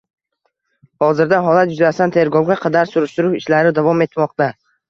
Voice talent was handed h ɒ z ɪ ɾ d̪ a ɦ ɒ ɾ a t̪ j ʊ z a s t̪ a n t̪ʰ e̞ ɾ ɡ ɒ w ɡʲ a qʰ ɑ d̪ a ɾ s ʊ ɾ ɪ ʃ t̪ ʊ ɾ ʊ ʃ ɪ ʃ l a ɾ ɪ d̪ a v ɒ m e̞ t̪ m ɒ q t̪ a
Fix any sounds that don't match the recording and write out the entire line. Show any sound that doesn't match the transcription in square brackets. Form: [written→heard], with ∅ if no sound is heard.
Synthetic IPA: h ɒ z ɪ ɾ d̪ a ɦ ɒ [ɾ→l] a t̪ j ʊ z a s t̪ a n t̪ʰ e̞ ɾ ɡ ɒ w ɡʲ a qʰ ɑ d̪ a ɾ s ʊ ɾ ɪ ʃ t̪ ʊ ɾ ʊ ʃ ɪ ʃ l a ɾ ɪ d̪ a v ɒ m e̞ t̪ m ɒ q t̪ a